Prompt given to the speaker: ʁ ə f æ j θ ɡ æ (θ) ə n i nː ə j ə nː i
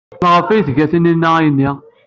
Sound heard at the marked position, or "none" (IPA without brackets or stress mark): θ